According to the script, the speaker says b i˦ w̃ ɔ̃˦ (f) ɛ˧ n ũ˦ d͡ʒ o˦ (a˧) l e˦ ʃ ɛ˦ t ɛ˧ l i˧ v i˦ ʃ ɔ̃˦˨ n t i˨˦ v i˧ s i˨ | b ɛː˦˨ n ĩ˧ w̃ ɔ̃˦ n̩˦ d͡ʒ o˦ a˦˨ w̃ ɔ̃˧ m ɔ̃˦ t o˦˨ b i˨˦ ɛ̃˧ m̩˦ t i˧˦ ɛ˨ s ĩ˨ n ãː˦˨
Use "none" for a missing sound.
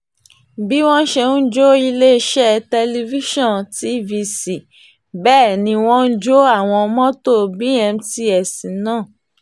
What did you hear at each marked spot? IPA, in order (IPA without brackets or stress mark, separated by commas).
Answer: ʃ, i˧